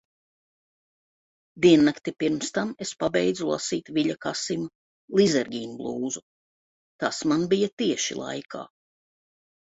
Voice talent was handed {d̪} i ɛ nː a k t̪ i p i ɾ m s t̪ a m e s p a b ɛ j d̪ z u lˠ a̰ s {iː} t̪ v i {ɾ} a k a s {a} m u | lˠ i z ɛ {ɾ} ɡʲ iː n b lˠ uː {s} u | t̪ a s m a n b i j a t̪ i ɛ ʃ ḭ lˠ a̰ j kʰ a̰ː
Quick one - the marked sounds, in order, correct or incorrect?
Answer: correct, correct, incorrect: ʎ, incorrect: i, correct, incorrect: z

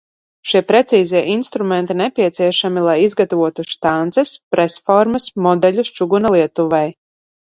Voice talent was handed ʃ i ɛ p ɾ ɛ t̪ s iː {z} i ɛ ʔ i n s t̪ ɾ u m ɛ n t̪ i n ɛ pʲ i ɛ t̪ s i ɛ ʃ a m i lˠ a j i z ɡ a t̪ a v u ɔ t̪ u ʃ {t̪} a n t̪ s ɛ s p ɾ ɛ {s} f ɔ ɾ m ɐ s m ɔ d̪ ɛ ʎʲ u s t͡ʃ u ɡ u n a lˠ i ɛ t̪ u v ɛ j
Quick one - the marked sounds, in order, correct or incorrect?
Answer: correct, correct, correct

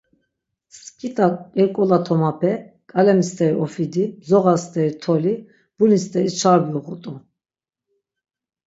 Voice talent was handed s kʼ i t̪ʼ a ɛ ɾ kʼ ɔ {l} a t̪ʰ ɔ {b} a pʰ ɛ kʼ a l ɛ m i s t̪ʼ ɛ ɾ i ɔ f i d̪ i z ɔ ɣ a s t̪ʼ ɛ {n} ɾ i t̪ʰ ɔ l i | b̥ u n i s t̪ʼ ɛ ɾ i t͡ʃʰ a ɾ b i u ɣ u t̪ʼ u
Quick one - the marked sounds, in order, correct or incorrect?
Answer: correct, incorrect: m, incorrect: none

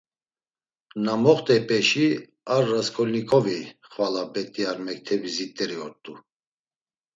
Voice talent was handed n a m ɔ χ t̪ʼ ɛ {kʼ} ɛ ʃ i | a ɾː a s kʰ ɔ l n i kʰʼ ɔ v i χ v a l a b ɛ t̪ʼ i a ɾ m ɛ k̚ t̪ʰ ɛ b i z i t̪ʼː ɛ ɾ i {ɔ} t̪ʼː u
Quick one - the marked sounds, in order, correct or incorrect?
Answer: incorrect: pʼ, correct

